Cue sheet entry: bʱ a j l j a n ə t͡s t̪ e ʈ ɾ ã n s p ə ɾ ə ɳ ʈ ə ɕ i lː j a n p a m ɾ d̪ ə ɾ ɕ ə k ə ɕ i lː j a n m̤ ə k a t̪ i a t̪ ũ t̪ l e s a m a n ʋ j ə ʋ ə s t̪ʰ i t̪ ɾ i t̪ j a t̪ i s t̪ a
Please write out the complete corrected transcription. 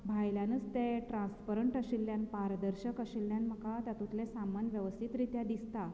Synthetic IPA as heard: bʱ a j l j a n ə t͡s t̪ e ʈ ɾ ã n s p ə ɾ ə ɳ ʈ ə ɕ i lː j a n p a ɾ d̪ ə ɾ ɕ ə k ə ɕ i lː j a n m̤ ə k a t̪ j a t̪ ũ t̪ l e s a m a n ʋ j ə ʋ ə s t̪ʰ i t̪ ɾ i t̪ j a d̪ i s t̪ a